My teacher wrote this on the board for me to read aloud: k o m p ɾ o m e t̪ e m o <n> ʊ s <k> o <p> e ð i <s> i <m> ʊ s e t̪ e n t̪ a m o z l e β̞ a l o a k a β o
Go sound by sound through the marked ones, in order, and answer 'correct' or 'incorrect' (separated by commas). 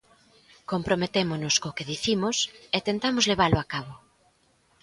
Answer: correct, correct, incorrect, incorrect, correct